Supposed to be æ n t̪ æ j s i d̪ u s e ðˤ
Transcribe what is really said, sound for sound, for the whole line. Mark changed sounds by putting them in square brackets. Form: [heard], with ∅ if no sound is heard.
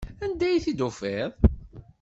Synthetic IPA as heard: æ n [d̪] æ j [θ] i d̪ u [f] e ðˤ